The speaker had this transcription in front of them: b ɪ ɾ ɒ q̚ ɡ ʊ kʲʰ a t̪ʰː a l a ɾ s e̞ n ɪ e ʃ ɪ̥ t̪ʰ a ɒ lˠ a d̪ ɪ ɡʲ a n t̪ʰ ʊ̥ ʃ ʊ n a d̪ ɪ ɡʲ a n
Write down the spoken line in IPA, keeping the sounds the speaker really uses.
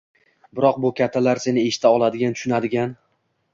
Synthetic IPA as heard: b ɪ ɾ ɒ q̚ b ʊ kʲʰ a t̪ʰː a l a ɾ s e̞ n ɪ e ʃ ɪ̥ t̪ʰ a ɒ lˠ a d̪ ɪ ɡʲ a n t̪ʰ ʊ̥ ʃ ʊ n a d̪ ɪ ɡʲ a n